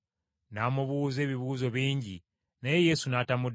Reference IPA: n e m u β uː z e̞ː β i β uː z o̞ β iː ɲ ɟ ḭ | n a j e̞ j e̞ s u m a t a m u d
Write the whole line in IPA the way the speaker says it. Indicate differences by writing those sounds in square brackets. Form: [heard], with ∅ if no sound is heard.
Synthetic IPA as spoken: n [a] m u β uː z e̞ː β i β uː z o̞ β iː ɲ ɟ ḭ | n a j e̞ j e̞ s u [n] a t a m u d

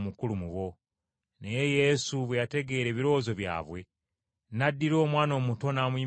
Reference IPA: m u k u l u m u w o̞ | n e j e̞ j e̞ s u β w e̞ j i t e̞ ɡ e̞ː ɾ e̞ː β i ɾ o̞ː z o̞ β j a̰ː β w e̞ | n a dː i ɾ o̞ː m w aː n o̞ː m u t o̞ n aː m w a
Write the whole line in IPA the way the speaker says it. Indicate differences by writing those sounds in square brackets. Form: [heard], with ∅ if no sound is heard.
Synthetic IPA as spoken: m u k u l u m u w o̞ | n e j e̞ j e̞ s u β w e̞ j [a] t e̞ ɡ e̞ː ɾ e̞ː β i ɾ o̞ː z o̞ β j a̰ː β w e̞ | n a dː i ɾ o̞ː m w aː n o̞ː m u t o̞ n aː m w [i]

